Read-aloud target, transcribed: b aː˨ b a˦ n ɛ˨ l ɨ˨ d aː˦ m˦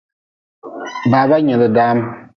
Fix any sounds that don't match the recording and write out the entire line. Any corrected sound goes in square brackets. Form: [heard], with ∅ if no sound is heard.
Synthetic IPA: b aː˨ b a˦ [ɲ] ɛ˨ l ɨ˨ d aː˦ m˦